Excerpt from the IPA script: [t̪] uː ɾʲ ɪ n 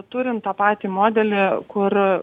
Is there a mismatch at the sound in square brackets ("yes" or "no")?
no